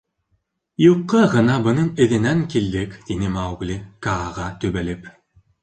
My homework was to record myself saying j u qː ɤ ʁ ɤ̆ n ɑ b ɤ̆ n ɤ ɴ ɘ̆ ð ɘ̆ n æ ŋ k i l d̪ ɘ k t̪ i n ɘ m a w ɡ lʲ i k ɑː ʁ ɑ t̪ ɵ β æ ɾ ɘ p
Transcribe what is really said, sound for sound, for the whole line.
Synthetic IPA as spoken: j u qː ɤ ʁ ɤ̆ n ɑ b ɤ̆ n ɤ ɴ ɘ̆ ð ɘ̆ n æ ŋ k i l d̪ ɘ k t̪ i n ɘ m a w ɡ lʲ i k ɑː ʁ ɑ t̪ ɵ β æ l ɘ p